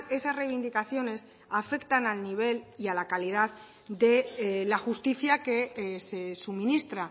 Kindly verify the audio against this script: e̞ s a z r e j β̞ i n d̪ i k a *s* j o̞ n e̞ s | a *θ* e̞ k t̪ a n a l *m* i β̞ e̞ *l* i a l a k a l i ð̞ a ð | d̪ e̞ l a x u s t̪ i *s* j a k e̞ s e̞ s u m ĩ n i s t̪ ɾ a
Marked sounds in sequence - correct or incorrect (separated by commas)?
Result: incorrect, incorrect, incorrect, correct, incorrect